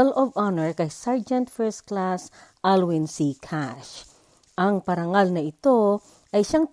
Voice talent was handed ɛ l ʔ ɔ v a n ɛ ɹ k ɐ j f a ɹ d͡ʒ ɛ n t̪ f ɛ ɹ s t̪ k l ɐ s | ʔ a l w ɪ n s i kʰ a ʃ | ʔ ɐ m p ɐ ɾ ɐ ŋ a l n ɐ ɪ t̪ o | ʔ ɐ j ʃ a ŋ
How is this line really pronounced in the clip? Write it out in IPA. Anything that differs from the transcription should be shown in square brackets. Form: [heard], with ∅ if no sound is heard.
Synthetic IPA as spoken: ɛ l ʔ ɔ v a n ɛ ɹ k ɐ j [s] a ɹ d͡ʒ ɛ n t̪ f ɛ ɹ s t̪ k l [a] s | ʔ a l w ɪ n s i kʰ a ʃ | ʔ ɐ [ŋ] p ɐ ɾ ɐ ŋ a l n ɐ ɪ t̪ o | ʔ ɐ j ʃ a ŋ